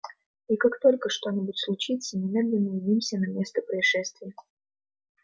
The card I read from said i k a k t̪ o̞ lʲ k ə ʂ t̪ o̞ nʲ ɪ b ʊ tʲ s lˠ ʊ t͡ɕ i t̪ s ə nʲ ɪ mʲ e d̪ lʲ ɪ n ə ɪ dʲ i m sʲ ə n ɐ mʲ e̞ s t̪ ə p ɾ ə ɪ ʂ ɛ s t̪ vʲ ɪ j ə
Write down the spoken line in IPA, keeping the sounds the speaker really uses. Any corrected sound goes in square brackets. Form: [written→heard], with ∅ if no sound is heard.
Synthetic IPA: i k a k t̪ o̞ lʲ k ə ʂ t̪ o̞ nʲ ɪ b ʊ tʲ s lˠ ʊ t͡ɕ i t̪ s ə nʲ ɪ mʲ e d̪ lʲ ɪ [n→nː] ə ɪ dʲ i m sʲ ə n ɐ mʲ e̞ s t̪ ə p ɾ ə ɪ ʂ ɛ s t̪ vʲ ɪ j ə